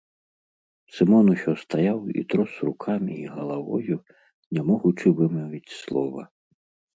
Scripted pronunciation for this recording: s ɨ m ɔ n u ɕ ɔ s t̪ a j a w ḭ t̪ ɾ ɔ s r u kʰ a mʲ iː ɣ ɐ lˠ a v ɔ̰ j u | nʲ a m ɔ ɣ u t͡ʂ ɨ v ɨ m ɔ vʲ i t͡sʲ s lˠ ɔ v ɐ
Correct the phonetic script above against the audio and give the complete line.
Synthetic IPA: s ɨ m ɔ n u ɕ ɔ s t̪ a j a w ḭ t̪ ɾ ɔ s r u kʰ a mʲ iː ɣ ɐ lˠ a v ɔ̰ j u | nʲ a m ɔ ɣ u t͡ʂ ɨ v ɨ m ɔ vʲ i t͡sʲ s lˠ ɔ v ɐ